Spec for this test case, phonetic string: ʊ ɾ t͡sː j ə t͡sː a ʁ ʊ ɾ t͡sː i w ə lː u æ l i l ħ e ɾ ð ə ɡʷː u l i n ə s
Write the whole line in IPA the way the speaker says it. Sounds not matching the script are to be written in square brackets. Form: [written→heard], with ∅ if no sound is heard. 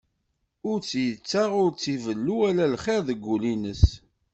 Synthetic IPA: ʊ ɾ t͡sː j ə t͡sː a ʁ ʊ ɾ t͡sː i [w→v] ə lː u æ l [i→æ] l [ħ→χ] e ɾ ð ə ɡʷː u l i n ə s